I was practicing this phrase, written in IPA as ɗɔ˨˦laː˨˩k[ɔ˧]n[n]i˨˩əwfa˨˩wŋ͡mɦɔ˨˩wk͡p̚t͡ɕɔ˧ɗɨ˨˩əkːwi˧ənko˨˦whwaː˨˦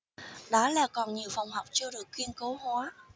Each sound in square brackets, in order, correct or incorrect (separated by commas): incorrect, incorrect